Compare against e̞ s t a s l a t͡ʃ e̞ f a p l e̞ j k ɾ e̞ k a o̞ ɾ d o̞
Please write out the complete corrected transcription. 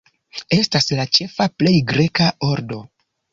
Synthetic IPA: e̞ s t a s l a t͡ʃ e̞ f a p l e̞ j ɡ ɾ e̞ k a o̞ ɾ d o̞